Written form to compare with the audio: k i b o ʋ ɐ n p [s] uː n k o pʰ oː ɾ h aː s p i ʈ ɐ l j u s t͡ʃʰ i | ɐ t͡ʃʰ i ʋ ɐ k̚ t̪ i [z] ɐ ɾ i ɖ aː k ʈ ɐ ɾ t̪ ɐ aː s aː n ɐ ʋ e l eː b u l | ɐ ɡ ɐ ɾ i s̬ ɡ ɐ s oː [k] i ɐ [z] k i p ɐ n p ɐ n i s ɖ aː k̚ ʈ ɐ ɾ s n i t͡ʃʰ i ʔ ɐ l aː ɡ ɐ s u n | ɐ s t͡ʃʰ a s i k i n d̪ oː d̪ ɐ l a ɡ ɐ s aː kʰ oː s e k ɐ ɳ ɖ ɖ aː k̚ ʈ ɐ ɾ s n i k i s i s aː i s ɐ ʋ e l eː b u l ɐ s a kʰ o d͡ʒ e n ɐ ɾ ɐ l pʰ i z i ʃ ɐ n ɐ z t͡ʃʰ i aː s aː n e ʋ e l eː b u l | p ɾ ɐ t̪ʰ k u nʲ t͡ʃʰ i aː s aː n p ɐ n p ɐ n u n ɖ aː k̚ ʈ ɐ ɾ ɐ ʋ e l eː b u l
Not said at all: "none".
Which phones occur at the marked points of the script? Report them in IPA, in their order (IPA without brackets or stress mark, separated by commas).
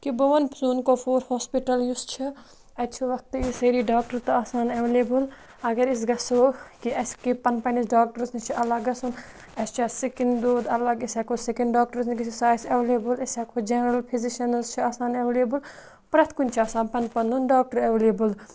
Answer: s, s, k, s